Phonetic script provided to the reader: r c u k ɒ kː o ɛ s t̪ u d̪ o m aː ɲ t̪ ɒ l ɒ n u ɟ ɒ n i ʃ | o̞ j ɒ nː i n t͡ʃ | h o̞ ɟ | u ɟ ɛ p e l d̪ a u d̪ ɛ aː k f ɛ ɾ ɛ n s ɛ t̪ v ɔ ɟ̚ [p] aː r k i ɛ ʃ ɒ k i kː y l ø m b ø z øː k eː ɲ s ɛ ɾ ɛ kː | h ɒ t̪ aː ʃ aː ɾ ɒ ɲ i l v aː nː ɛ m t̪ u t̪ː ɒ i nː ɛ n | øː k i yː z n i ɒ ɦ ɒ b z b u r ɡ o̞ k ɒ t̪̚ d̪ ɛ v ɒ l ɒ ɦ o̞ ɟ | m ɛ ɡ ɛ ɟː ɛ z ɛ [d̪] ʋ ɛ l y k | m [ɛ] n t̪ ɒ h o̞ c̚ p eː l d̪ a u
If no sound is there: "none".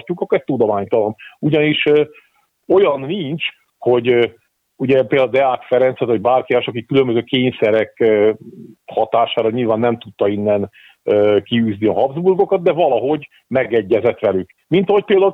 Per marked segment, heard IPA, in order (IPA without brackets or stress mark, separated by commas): b, t̪, i